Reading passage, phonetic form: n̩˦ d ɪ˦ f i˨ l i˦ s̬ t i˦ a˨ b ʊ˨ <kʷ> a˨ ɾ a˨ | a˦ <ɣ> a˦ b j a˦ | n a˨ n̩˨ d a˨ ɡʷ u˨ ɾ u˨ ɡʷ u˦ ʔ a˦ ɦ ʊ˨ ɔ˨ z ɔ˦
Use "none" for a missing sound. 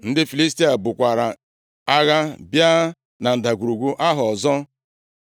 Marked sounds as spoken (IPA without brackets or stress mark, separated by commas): kʷ, ɣ